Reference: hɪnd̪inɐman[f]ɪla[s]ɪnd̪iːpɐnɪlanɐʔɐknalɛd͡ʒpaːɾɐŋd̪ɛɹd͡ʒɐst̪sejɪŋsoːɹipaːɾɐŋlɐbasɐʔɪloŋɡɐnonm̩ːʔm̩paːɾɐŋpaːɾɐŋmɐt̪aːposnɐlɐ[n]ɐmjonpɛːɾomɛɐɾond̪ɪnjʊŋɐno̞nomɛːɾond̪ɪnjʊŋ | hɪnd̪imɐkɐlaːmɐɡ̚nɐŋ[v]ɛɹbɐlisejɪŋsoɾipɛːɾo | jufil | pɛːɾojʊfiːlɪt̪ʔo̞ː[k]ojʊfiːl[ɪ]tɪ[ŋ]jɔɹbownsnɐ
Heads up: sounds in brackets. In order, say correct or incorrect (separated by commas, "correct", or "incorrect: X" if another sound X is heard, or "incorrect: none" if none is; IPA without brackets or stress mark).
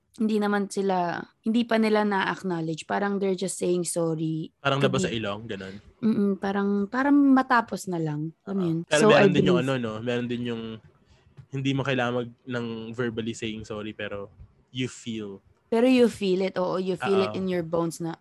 incorrect: s, incorrect: h, incorrect: ŋ, correct, incorrect: ʔ, correct, incorrect: n